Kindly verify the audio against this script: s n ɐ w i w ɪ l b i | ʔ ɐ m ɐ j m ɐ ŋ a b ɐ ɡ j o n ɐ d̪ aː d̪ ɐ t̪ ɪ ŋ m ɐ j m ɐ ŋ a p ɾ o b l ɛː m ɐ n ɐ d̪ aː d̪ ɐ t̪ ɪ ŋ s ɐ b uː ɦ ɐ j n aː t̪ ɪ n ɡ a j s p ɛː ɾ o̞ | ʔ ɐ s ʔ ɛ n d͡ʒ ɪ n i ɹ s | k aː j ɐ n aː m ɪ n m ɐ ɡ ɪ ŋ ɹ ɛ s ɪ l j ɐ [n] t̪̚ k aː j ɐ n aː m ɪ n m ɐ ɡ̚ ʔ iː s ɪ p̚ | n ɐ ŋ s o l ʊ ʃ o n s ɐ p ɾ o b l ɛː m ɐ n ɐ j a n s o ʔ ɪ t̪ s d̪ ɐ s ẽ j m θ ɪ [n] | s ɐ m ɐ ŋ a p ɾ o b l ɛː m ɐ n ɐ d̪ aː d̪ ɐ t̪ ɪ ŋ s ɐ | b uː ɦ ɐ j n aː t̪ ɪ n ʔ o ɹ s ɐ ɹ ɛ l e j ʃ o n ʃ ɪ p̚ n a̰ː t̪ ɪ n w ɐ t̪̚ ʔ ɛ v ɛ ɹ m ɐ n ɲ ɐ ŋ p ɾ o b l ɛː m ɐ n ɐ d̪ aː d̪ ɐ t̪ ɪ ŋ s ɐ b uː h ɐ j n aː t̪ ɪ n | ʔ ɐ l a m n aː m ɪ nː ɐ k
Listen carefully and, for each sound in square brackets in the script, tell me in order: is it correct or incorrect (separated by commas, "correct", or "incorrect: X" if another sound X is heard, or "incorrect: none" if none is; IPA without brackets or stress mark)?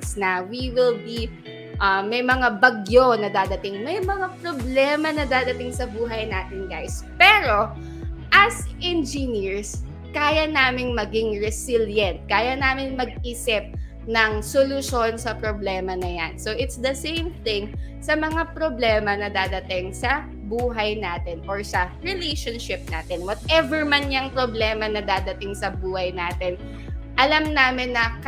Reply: correct, incorrect: ŋ